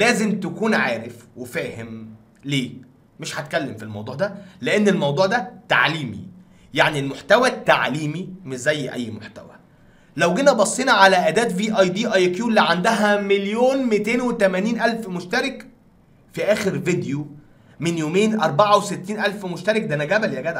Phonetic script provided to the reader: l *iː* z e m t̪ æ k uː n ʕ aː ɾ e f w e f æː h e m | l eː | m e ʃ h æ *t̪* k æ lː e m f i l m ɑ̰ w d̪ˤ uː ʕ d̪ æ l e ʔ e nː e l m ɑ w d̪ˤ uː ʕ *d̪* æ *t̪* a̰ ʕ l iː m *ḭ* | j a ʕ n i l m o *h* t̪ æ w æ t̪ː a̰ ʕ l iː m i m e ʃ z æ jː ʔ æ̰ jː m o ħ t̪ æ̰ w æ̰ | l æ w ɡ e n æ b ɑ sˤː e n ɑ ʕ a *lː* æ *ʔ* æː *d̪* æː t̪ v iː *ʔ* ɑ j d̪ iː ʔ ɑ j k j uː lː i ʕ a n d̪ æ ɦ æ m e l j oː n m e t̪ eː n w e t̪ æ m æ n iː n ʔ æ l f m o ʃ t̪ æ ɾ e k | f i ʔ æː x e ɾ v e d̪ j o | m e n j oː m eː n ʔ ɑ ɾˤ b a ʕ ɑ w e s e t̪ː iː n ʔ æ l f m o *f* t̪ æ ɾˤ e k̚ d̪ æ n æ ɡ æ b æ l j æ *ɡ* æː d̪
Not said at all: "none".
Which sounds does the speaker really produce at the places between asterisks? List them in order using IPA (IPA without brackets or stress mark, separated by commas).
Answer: æː, t̪, d̪, t̪, ḭ, ħ, l, ʔ, d̪, ʔ, ʃ, ɡ